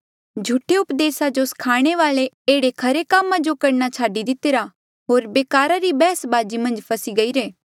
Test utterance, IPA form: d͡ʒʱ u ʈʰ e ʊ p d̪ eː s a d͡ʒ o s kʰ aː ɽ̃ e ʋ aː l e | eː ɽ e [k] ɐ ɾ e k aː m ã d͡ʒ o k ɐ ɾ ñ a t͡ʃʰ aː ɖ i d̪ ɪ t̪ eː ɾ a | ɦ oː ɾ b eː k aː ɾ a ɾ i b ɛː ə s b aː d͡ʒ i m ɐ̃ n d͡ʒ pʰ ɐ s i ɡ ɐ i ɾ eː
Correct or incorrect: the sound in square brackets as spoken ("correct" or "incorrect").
incorrect